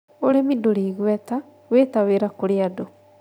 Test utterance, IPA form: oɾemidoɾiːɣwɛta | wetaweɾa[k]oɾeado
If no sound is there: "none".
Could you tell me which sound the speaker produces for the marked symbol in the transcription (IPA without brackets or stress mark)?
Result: k